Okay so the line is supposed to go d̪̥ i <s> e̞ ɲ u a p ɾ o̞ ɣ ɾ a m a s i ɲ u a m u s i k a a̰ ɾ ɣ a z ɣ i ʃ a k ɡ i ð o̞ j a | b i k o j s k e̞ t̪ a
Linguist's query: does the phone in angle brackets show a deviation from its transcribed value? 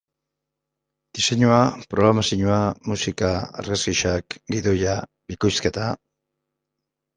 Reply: no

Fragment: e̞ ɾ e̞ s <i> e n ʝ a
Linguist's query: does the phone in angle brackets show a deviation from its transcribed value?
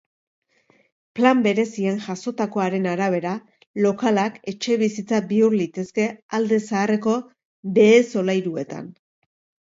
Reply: no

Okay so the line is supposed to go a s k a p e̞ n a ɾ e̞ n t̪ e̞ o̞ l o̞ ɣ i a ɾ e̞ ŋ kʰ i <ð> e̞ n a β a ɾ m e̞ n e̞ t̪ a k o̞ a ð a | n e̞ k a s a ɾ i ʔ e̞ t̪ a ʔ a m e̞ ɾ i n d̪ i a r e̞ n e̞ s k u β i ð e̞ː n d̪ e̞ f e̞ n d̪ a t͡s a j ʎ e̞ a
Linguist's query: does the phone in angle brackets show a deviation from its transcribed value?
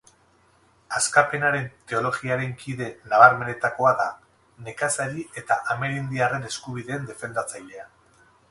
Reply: no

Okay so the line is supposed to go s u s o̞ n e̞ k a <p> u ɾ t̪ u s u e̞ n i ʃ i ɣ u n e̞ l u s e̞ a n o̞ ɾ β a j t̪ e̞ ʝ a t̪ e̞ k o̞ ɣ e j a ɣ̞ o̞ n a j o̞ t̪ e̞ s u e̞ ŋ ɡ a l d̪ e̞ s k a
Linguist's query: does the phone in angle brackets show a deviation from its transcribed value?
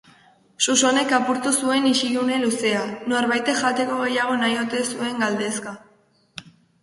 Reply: no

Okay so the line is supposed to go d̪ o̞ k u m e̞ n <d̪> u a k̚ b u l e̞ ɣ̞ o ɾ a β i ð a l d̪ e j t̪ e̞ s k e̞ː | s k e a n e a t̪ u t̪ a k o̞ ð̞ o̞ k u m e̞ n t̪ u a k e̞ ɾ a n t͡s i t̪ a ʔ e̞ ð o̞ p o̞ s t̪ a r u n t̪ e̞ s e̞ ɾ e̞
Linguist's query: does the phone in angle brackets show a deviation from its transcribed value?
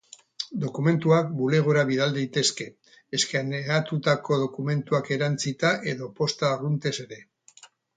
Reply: yes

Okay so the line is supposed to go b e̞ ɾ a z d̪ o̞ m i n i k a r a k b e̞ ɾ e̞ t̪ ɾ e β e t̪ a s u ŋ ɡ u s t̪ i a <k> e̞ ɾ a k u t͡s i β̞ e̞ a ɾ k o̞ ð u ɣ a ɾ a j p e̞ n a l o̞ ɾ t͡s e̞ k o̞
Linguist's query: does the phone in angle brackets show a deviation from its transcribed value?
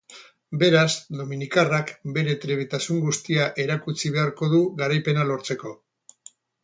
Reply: yes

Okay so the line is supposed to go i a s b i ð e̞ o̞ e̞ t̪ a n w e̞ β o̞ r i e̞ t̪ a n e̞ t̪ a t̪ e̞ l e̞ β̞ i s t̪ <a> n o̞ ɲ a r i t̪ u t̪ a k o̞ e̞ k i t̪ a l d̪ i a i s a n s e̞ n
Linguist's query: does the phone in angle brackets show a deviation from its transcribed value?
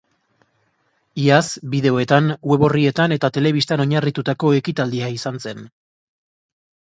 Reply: no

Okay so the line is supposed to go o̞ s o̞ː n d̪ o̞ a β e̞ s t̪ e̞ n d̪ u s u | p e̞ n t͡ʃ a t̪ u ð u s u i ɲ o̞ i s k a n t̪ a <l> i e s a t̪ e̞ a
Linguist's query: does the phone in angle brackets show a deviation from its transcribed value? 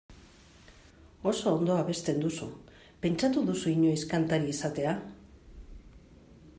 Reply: yes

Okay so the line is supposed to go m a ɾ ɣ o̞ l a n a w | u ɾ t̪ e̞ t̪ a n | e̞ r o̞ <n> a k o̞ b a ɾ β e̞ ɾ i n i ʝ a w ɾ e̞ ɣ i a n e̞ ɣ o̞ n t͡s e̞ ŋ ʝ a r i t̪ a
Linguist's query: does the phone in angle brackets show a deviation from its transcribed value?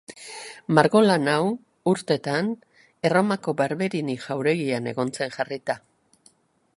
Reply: yes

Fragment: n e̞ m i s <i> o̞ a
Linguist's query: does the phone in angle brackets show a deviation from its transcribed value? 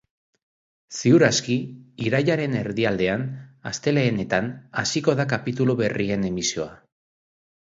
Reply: no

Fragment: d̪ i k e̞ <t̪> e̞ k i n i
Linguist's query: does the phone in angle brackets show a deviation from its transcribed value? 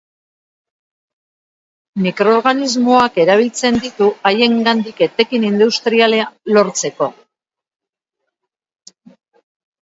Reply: no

